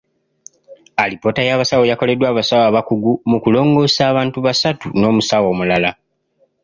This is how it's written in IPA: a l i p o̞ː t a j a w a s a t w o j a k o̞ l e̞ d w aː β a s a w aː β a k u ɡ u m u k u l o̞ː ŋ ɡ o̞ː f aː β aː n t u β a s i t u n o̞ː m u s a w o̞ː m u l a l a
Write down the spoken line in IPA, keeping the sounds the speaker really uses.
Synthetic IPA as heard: a l i p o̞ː t a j a β a s a w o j a k o̞ l e̞ d w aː β a s a w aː β a k u ɡ u m u k u l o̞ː ŋ ɡ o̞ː s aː β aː n t u β a s a t u n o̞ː m u s a w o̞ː m u l a l a